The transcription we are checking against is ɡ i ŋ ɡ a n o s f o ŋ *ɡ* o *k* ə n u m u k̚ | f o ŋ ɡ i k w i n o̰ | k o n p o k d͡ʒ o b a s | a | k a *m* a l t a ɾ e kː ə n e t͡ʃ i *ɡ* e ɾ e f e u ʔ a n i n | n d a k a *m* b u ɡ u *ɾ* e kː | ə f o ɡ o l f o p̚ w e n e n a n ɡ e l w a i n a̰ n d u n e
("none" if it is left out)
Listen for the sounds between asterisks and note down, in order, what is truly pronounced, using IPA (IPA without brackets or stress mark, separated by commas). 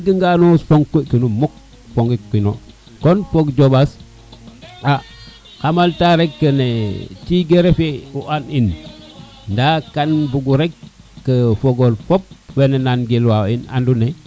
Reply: k, k, m, ɡ, n, ɾ